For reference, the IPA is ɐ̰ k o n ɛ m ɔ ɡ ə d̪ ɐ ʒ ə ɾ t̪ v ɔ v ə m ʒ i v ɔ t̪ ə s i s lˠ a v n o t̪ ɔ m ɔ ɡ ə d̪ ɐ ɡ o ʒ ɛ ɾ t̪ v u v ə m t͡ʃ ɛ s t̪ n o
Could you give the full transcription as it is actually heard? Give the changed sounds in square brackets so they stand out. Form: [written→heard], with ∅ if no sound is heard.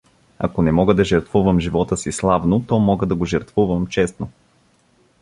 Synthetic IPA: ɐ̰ k o n ɛ m ɔ ɡ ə d̪ ɐ ʒ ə ɾ t̪ v [ɔ→u] v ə m ʒ i v ɔ t̪ ə s i s lˠ a v n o t̪ ɔ m ɔ ɡ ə d̪ ɐ ɡ o ʒ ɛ ɾ t̪ v u v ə m t͡ʃ ɛ s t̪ n o